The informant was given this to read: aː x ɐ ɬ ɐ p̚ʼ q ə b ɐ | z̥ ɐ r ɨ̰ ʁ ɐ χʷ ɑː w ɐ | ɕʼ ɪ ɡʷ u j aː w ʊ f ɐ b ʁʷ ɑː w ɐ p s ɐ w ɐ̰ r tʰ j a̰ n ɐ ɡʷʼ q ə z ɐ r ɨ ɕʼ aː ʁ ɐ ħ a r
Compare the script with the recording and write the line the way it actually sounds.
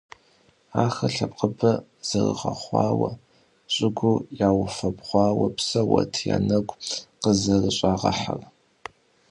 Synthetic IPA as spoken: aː x ɐ ɬ ɐ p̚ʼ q ə b ɐ | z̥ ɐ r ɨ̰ ʁ ɐ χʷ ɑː w ɐ | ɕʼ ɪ ɡʷ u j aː w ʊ f ɐ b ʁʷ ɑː w ɐ p s ɐ w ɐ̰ tʰ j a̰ n ɐ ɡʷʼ q ə z ɐ r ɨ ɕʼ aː ʁ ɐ ħ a r